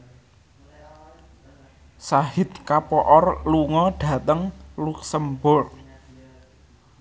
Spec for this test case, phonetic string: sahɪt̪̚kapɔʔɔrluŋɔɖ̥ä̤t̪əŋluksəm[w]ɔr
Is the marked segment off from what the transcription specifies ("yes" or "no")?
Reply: yes